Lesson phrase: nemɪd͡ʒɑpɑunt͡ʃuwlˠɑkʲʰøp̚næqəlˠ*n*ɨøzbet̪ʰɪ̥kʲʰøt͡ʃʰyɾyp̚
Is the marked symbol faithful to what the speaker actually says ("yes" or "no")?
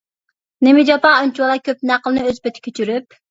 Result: yes